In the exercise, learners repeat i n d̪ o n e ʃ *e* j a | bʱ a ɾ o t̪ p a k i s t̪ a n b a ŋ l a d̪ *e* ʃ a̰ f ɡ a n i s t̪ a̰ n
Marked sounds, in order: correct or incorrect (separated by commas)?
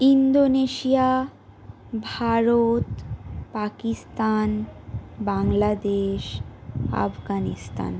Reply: incorrect, correct